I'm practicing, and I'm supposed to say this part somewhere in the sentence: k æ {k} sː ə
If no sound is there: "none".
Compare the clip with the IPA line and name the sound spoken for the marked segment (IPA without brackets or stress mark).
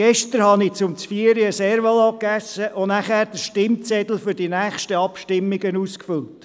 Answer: none